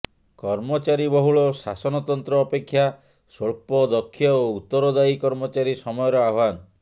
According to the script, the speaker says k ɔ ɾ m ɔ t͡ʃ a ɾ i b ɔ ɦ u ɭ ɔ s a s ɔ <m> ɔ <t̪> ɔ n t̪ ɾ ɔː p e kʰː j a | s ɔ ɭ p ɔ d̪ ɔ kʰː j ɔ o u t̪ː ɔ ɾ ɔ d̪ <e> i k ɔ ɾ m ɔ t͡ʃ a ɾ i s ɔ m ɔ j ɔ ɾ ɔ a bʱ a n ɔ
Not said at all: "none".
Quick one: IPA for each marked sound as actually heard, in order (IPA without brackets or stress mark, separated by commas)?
n, t̪, a